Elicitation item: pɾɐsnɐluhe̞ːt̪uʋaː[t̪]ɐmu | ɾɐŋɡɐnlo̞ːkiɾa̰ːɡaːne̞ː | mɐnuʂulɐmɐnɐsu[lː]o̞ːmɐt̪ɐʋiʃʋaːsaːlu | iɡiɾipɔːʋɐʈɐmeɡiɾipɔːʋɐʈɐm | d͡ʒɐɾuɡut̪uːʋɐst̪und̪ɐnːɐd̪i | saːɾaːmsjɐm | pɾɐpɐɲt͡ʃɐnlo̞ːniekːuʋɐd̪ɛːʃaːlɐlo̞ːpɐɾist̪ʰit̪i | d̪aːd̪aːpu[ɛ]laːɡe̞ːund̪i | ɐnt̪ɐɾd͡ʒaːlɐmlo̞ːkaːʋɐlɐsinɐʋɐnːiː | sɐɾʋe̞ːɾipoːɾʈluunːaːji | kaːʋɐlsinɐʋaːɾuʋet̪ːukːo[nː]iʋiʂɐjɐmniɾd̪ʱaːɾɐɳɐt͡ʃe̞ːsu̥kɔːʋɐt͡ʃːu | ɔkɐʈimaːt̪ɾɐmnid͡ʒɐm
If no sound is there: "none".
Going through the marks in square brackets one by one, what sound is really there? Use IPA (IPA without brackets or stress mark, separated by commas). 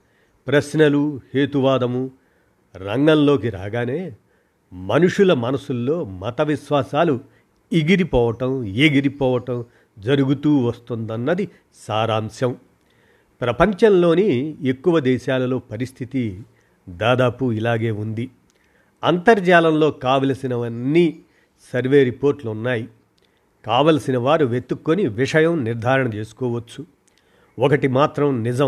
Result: d̪, lː, i, n